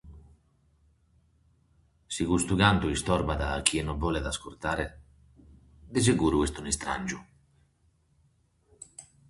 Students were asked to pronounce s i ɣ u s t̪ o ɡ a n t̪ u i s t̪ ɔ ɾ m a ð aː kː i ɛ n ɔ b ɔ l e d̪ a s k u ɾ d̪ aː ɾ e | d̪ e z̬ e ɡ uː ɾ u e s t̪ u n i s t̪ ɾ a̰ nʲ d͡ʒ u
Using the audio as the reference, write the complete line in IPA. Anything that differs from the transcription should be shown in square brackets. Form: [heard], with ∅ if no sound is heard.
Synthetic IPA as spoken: s i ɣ u s t̪ [u] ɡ a n t̪ u i s t̪ ɔ ɾ [b] a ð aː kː i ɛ n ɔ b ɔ l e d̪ a s k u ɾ [t̪] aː ɾ e | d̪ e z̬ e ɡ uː ɾ u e s t̪ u n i s t̪ ɾ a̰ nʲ d͡ʒ u